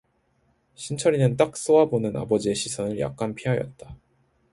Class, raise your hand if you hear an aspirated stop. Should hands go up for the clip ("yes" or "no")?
yes